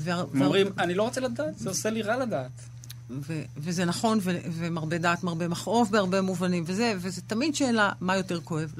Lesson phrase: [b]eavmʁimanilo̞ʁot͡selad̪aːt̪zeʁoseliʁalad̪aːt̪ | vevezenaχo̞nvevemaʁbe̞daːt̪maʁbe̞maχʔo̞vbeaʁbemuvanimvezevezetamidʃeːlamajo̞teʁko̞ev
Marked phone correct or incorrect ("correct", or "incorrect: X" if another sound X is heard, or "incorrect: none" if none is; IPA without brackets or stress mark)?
incorrect: v